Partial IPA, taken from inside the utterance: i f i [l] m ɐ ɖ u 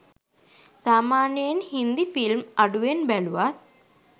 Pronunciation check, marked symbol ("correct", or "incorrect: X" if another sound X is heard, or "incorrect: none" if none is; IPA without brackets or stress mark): correct